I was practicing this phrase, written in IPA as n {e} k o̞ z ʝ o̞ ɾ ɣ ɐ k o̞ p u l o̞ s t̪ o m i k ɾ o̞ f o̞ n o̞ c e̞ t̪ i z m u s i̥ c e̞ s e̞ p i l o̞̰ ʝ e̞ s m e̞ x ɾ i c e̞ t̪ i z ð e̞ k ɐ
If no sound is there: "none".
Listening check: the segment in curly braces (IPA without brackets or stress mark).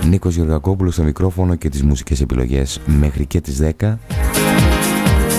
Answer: i